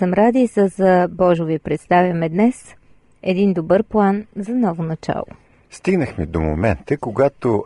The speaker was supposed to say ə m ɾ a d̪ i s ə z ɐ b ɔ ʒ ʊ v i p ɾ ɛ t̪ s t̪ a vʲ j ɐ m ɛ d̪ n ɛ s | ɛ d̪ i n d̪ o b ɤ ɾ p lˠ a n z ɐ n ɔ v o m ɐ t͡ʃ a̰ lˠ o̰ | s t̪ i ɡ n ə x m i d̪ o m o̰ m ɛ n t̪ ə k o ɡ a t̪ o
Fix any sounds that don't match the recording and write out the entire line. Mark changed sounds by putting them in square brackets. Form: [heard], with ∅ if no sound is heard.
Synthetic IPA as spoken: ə m ɾ a d̪ i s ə z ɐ b ɔ ʒ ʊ v i p ɾ ɛ t̪ s t̪ a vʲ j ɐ m ɛ d̪ n ɛ s | ɛ d̪ i n d̪ o b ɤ ɾ p lˠ a n z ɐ n ɔ v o [n] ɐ t͡ʃ a̰ lˠ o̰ | s t̪ i ɡ n ə x m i d̪ o m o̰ m ɛ n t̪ ə k o ɡ a t̪ o